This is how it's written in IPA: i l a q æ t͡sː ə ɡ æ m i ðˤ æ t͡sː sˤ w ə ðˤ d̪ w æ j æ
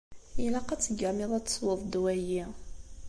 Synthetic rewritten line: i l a q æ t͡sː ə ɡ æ m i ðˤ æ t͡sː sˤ w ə ðˤ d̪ w æ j i